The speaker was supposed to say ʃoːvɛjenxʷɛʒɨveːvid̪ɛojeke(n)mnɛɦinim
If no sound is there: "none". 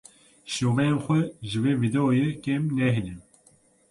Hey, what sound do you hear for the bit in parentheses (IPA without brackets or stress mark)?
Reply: none